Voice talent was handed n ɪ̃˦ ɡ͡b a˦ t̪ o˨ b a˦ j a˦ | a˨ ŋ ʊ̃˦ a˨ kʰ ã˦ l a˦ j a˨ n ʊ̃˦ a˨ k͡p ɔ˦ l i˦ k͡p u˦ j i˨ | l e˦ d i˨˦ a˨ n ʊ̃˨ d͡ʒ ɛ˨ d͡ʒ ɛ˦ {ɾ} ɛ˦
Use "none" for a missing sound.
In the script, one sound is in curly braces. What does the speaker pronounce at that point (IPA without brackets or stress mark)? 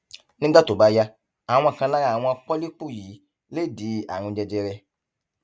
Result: ɾ